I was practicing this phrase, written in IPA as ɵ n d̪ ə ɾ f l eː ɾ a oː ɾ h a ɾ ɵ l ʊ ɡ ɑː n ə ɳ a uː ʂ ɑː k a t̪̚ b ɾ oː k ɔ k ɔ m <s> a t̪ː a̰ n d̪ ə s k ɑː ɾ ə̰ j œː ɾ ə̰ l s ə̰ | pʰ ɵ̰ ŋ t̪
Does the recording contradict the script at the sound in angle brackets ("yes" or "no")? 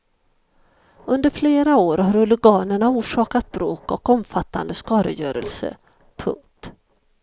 yes